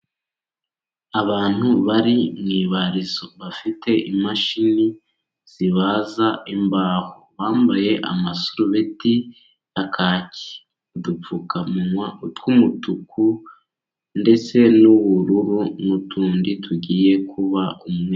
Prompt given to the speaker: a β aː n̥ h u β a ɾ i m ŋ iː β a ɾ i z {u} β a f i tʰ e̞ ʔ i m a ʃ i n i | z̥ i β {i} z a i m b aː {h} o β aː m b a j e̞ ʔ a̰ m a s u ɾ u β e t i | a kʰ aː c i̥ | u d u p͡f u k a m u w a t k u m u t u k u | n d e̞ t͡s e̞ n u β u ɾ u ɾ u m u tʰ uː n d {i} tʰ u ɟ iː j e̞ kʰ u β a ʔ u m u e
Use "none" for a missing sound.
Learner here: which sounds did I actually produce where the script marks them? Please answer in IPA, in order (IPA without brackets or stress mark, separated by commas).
o, a, h, i